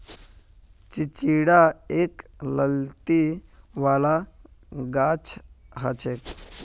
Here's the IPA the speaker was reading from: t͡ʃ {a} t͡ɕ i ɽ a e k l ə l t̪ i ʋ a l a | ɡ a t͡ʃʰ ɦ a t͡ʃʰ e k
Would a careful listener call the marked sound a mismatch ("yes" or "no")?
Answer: yes